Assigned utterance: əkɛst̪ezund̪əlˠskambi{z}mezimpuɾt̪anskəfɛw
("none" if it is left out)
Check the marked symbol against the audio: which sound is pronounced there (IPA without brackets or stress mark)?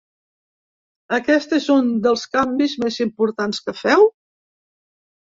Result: z